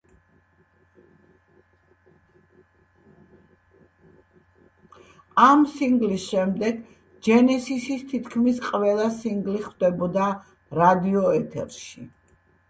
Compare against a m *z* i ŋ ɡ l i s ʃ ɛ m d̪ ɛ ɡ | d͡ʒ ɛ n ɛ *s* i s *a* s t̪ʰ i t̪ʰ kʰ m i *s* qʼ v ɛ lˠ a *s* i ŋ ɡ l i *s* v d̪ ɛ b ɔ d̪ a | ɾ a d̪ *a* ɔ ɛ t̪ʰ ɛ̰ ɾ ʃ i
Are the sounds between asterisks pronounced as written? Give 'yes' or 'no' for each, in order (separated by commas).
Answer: no, yes, no, yes, yes, no, no